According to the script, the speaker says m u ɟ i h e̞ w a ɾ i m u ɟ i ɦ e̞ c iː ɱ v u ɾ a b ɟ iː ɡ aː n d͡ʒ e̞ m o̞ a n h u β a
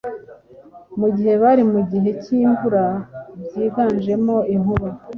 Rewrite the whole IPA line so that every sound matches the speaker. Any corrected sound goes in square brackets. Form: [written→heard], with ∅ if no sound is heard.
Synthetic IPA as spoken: m u ɟ i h e̞ [w→β] a ɾ i m u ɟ i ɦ e̞ c iː ɱ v u ɾ a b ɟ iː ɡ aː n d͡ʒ e̞ m o̞ [a→i] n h u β a